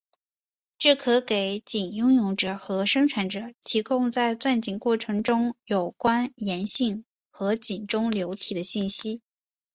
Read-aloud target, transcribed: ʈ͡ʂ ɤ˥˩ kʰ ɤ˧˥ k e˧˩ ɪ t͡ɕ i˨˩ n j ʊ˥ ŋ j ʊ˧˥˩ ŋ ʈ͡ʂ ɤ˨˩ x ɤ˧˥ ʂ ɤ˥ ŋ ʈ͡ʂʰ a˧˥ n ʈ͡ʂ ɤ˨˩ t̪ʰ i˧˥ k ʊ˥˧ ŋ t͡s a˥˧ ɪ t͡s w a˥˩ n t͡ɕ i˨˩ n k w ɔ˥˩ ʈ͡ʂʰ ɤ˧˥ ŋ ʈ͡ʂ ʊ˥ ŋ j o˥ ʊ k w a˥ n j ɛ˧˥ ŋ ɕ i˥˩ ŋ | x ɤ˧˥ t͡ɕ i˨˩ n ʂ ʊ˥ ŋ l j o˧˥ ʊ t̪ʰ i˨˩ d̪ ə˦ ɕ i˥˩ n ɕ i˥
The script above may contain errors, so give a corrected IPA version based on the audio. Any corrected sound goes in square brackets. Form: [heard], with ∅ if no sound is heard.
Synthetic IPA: ʈ͡ʂ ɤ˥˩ kʰ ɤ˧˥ k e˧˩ ɪ t͡ɕ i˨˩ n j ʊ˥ ŋ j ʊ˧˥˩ ŋ ʈ͡ʂ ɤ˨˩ x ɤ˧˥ ʂ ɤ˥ ŋ ʈ͡ʂʰ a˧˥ n ʈ͡ʂ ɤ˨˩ t̪ʰ i˧˥ k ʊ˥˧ ŋ t͡s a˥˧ ɪ t͡s w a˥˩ n t͡ɕ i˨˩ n k w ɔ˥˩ ʈ͡ʂʰ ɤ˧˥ ŋ ʈ͡ʂ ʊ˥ ŋ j [o˨˩] ʊ k w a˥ n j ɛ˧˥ [n] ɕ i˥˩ ŋ | x ɤ˧˥ t͡ɕ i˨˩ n [ʈ͡ʂ] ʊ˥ ŋ l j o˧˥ ʊ t̪ʰ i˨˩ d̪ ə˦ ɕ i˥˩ n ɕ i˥